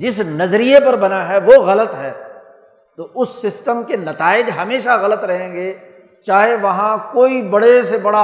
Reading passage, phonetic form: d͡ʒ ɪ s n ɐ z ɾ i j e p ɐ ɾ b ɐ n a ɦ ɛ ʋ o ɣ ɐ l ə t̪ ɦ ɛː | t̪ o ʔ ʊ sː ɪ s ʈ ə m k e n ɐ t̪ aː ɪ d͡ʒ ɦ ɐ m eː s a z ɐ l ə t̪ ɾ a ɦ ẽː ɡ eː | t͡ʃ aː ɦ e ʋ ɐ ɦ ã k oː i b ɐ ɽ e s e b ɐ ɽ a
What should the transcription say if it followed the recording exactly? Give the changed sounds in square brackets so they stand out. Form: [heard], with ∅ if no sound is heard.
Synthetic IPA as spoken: d͡ʒ ɪ s n ɐ z ɾ i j e p ɐ ɾ b ɐ n a ɦ ɛ ʋ o ɣ ɐ l ə t̪ ɦ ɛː | t̪ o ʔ ʊ sː ɪ s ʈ ə m k e n ɐ t̪ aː ɪ d͡ʒ ɦ ɐ m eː [ʃ] a [ɣ] ɐ l ə t̪ ɾ [ɐ] ɦ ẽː ɡ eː | t͡ʃ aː ɦ e ʋ ɐ ɦ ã k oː i b ɐ ɽ e s e b ɐ ɽ a